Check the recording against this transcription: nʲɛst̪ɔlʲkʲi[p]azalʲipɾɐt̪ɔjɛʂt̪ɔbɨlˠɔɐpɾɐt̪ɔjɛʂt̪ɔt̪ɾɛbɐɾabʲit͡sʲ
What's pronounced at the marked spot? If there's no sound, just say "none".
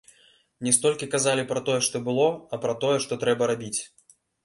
k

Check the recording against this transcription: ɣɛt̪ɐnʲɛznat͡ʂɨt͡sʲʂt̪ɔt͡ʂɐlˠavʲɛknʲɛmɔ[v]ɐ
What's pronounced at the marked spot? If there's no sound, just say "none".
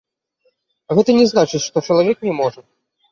ʐ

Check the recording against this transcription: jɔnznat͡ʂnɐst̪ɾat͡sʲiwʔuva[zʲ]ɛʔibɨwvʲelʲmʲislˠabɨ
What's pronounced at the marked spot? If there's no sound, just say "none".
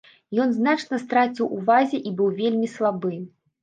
zʲ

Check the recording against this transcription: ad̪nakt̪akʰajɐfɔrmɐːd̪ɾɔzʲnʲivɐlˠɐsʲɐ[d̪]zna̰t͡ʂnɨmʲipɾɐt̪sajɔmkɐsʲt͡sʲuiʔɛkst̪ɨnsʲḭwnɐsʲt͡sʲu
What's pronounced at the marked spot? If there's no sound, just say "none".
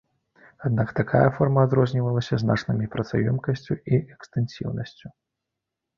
none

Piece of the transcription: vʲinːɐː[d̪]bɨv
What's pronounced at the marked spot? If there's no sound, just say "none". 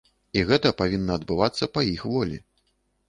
d̪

